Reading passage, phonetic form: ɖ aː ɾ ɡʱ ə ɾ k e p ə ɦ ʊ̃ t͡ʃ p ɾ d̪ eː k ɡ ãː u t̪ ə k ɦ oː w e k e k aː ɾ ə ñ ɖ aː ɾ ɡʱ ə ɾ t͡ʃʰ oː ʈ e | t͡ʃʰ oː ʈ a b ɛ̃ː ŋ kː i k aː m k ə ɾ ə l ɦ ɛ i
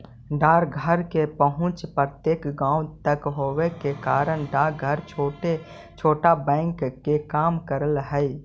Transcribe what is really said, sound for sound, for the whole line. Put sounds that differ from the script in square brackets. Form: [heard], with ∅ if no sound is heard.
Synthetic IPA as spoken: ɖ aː ɾ ɡʱ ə ɾ k e p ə ɦ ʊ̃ t͡ʃ p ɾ [t̪] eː k ɡ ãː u t̪ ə k ɦ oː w e k e k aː ɾ ə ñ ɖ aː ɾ ɡʱ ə ɾ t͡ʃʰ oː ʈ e | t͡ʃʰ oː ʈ a b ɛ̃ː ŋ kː [e] k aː m k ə ɾ ə l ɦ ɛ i